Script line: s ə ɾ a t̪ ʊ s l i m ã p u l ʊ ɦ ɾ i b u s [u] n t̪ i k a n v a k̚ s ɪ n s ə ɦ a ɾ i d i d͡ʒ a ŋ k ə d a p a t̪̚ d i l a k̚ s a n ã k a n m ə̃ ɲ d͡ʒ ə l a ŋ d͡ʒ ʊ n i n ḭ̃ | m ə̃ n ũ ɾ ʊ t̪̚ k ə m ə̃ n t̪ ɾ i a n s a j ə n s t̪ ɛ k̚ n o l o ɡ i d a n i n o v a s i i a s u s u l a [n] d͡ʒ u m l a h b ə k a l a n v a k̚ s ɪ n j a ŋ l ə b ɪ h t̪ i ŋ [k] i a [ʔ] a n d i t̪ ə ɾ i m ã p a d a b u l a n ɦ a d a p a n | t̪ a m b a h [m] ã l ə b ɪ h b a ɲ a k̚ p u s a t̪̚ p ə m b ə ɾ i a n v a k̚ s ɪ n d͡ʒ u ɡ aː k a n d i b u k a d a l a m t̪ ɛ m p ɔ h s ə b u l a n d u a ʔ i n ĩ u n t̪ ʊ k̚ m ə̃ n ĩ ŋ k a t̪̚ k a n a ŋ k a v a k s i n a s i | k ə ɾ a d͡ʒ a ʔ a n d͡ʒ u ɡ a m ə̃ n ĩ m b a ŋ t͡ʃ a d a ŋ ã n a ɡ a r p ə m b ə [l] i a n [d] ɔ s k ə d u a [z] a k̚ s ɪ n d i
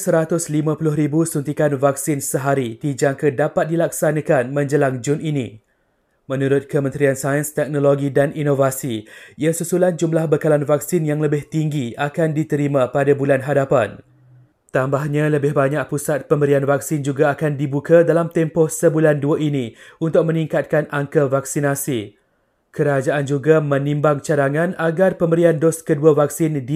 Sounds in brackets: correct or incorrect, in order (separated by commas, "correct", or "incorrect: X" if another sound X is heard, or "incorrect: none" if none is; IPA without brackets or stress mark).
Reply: correct, correct, incorrect: ɡ, incorrect: k, incorrect: ɲ, incorrect: ɾ, correct, incorrect: v